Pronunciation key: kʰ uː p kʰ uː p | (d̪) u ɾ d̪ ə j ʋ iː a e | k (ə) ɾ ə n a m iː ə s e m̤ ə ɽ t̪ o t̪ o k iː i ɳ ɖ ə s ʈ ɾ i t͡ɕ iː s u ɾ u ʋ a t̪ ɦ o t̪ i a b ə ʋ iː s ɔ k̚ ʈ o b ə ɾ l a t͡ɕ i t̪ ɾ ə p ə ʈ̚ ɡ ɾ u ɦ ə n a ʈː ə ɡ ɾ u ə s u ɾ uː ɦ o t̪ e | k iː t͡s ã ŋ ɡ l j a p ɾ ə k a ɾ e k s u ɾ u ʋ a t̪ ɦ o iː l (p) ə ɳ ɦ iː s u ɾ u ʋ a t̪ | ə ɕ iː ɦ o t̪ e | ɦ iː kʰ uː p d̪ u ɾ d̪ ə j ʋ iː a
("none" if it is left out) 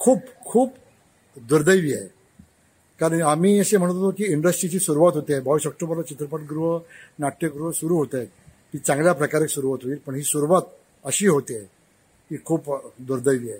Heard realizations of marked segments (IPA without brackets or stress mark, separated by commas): d̪, a, p